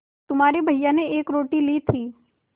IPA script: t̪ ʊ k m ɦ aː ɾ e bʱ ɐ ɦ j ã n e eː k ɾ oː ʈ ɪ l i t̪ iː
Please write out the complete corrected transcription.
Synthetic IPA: t̪ ʊ m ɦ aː ɾ e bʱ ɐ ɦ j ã n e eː k ɾ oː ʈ i l i t̪ʰ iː

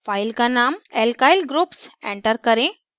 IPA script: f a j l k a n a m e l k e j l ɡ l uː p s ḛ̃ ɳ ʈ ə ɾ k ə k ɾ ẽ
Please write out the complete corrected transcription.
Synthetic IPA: f a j l k a n a m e l k a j l ɡ ɾ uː p s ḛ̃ ɳ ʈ ə ɾ k ə ɾ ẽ

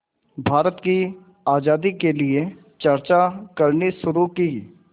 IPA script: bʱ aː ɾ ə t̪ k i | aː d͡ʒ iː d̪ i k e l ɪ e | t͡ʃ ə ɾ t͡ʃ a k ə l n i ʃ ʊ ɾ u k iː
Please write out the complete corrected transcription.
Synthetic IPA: bʱ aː ɾ ə t̪ k i | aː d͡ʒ aː d̪ i k e l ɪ e | t͡ʃ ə ɾ t͡ʃ a k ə ɾ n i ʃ ʊ ɾ u k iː

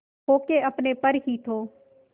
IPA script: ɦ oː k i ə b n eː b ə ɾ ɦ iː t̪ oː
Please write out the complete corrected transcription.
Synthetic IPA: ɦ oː k e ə p n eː p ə ɾ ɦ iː t̪ʰ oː

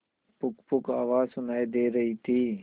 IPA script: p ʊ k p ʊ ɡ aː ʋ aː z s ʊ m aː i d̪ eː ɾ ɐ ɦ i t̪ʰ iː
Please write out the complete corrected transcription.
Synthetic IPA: p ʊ k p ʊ k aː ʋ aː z s ʊ n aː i d̪ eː ɾ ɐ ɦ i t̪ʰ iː

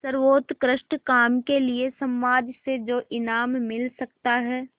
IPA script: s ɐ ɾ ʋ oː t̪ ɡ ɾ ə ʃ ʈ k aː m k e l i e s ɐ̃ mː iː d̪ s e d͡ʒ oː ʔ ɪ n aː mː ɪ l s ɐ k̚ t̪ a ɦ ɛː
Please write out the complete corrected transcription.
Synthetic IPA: s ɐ ɾ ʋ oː t̪ k ɾ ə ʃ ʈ k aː m k e l i e s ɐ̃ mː aː d̪ s e d͡ʒ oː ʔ ɪ n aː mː ɪ l s ɐ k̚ t̪ a ɦ ɛː

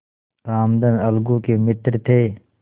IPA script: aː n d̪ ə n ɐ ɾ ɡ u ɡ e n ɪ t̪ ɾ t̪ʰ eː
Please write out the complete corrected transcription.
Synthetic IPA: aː m d̪ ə n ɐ l ɡ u k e m ɪ t̪ ɾ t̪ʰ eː

